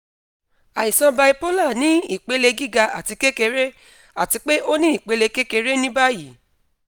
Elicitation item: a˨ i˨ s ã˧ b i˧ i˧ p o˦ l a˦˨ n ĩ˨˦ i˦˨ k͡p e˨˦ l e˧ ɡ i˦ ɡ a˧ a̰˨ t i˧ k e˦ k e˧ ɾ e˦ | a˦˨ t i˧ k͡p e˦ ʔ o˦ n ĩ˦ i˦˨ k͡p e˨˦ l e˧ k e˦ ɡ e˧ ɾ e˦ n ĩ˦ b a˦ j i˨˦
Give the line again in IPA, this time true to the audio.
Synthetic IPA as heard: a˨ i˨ s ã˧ b a˧ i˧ p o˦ l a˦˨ n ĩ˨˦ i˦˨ k͡p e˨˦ l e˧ ɡ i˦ ɡ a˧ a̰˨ t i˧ k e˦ k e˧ ɾ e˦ | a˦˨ t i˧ k͡p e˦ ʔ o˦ n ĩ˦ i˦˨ k͡p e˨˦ l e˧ k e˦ k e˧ ɾ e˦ n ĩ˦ b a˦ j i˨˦